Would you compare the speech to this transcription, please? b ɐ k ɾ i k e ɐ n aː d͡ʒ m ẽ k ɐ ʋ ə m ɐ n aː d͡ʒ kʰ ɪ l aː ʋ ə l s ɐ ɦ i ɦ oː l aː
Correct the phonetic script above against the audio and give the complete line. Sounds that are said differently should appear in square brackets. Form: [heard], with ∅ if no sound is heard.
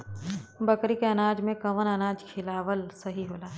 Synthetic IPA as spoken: b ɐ k ɾ i k e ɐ n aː d͡ʒ m ẽ k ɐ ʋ ə [n] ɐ n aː d͡ʒ kʰ ɪ l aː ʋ ə l s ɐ ɦ i ɦ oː l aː